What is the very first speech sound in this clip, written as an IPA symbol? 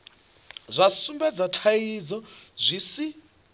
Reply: zʷ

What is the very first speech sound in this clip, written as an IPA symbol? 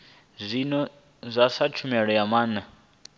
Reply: zʷ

